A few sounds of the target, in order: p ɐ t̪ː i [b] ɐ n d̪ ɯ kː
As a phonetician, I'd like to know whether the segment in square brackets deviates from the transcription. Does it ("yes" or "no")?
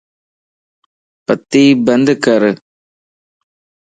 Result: no